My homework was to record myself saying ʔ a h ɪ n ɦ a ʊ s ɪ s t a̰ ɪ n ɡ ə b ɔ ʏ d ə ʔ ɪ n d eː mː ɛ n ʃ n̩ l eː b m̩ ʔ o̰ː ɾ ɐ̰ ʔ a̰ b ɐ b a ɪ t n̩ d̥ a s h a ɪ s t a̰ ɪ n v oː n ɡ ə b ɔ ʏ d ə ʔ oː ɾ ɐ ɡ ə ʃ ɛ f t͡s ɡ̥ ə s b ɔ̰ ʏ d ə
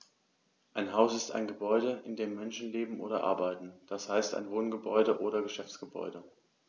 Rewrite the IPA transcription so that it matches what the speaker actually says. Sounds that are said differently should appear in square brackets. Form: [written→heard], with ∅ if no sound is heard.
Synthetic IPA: ʔ a [h→∅] ɪ n ɦ a ʊ s ɪ s t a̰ ɪ n ɡ ə b ɔ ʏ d ə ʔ ɪ n d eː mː ɛ n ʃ n̩ l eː b m̩ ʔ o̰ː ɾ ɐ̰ ʔ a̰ [b→∅] ɐ b a ɪ t n̩ d̥ a s h a ɪ s t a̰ ɪ n v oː n ɡ ə b ɔ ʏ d ə ʔ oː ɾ ɐ ɡ ə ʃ ɛ f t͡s ɡ̥ ə [s→∅] b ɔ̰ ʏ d ə

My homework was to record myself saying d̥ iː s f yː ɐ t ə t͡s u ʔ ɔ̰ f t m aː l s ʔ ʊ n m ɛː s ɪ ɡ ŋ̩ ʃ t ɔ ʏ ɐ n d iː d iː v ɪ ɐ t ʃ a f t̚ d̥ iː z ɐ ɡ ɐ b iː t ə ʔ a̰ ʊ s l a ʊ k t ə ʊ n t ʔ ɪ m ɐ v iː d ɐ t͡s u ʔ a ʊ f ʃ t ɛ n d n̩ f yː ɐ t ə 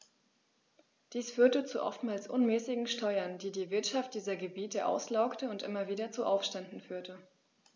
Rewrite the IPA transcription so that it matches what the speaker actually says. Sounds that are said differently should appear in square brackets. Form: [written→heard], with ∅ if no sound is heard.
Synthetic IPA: d̥ iː s f yː ɐ t ə t͡s u ʔ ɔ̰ f t m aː l s ʔ ʊ n m ɛː s ɪ ɡ ŋ̩ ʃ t ɔ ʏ ɐ n d iː d iː v ɪ ɐ t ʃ a f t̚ d̥ iː z ɐ ɡ [ɐ→ə] b iː t ə ʔ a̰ ʊ s l a ʊ k t ə ʊ n t ʔ ɪ m ɐ v iː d ɐ t͡s u ʔ a ʊ f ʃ t ɛ n d n̩ f yː ɐ t ə

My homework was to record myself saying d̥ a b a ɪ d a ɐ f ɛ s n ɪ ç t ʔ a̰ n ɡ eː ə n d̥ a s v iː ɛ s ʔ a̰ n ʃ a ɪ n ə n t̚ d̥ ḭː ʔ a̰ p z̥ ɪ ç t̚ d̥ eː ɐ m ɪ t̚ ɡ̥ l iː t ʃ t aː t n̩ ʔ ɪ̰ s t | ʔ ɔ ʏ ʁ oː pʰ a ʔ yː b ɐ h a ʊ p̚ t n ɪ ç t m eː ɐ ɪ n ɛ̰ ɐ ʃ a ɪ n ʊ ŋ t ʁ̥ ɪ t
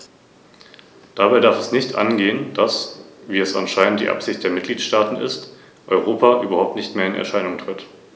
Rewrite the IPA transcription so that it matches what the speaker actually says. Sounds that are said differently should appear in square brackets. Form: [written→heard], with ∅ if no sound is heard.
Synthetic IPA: d̥ a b a ɪ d a ɐ f ɛ s n ɪ ç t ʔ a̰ n ɡ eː ə n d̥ a s v iː ɛ s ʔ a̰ n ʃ a ɪ n ə n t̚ d̥ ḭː ʔ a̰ p z̥ ɪ ç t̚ d̥ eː ɐ m ɪ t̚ ɡ̥ l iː t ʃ t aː t n̩ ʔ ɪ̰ s t | ʔ ɔ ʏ ʁ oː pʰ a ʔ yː b ɐ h a ʊ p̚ t n ɪ ç t m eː ɐ ɪ n ɛ̰ ɐ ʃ a ɪ n ʊ ŋ t ʁ̥ ɪ t

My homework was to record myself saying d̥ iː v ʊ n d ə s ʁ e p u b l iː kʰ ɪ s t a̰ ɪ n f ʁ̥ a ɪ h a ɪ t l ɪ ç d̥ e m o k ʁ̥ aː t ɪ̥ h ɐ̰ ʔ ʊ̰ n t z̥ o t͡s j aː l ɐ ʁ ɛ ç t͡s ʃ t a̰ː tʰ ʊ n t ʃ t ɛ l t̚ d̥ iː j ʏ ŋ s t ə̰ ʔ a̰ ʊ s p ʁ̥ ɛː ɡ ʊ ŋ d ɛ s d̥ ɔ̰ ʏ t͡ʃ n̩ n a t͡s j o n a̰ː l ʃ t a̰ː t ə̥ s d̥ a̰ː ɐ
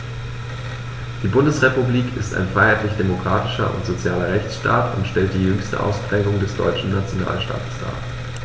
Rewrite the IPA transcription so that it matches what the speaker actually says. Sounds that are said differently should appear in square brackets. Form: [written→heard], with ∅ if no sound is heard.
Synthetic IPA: d̥ iː [v→b] ʊ n d ə s ʁ e p u b l iː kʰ ɪ s t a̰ ɪ n f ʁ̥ a ɪ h a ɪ t l ɪ ç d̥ e m o k ʁ̥ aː t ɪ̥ [h→ʃ] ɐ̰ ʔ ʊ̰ n t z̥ o t͡s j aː l ɐ ʁ ɛ ç t͡s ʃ t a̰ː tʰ ʊ n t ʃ t ɛ l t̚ d̥ iː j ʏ ŋ s t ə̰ ʔ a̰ ʊ s p ʁ̥ ɛː ɡ ʊ ŋ d ɛ s d̥ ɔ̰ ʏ t͡ʃ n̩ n a t͡s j o n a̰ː l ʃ t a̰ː t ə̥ s d̥ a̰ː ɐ

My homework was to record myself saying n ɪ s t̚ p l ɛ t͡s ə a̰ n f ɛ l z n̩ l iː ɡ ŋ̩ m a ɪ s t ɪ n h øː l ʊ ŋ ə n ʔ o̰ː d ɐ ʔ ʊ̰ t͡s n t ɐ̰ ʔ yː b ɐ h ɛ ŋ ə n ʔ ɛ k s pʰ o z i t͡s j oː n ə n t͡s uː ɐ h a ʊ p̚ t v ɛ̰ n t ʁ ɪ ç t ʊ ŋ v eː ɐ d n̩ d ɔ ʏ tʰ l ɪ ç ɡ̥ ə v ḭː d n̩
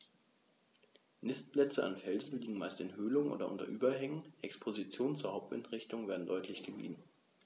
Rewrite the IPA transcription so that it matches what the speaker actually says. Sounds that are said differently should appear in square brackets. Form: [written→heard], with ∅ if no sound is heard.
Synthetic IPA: n ɪ s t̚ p l ɛ t͡s ə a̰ n f ɛ l z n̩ l iː ɡ ŋ̩ m a ɪ s t ɪ n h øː l ʊ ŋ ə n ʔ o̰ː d ɐ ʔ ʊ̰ [t͡s→∅] n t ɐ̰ ʔ yː b ɐ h ɛ ŋ ə n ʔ ɛ k s pʰ o z i t͡s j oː n ə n t͡s uː ɐ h a ʊ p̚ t v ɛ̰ n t ʁ ɪ ç t ʊ ŋ v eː ɐ d n̩ d ɔ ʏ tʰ l ɪ ç ɡ̥ ə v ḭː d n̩

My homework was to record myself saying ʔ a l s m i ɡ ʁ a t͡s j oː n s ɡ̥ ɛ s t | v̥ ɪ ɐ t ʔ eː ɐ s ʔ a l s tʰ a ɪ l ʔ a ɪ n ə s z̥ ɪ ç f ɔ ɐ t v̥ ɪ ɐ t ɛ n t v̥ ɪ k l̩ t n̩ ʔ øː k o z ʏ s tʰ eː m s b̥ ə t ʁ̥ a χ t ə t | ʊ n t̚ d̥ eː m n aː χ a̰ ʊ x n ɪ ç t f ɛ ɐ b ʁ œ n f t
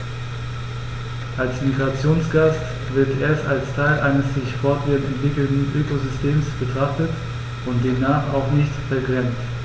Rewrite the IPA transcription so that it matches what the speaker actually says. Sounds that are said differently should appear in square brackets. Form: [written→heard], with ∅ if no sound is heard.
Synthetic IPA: ʔ a l s m i ɡ ʁ a t͡s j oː n s ɡ̥ [ɛ→a] s t | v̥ ɪ ɐ t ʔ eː ɐ s [ʔ→t] a l s tʰ a ɪ l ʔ a ɪ n ə s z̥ ɪ ç f ɔ ɐ t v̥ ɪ ɐ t ɛ n t v̥ ɪ k l̩ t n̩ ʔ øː k o z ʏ s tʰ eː m s b̥ ə t ʁ̥ a χ t ə t | ʊ n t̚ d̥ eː m n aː χ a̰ ʊ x n ɪ ç t f ɛ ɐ [b→ɡ] ʁ [œ→ɛ] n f t

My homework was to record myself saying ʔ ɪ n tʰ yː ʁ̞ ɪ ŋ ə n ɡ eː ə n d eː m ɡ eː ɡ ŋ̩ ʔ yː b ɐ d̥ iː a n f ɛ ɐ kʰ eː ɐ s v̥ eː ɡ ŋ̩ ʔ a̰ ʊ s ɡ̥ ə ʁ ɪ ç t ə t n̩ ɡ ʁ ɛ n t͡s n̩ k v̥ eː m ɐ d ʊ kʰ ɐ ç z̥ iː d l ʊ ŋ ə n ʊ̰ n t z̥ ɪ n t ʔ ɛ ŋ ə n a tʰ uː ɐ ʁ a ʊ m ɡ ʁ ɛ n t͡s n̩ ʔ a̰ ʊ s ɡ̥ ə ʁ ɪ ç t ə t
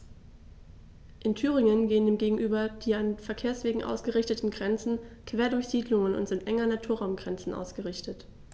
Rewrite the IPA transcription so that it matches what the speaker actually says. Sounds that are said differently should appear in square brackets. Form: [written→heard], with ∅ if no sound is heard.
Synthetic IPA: ʔ ɪ n tʰ yː ʁ̞ ɪ ŋ ə n ɡ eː ə n d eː m ɡ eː ɡ ŋ̩ ʔ yː b ɐ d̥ iː a n f ɛ ɐ kʰ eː ɐ s v̥ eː ɡ ŋ̩ ʔ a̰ ʊ s ɡ̥ ə ʁ ɪ ç t ə t n̩ ɡ ʁ ɛ n t͡s n̩ k v̥ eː [m→∅] ɐ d ʊ [kʰ→∅] ɐ ç z̥ iː d l ʊ ŋ ə n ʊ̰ n t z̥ ɪ n t ʔ ɛ ŋ [ə→ɐ] n a tʰ uː ɐ ʁ a ʊ m ɡ ʁ ɛ n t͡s n̩ ʔ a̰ ʊ s ɡ̥ ə ʁ ɪ ç t ə t

